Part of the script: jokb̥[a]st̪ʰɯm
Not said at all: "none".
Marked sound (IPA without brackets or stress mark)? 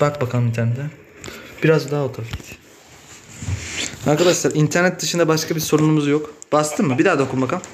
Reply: a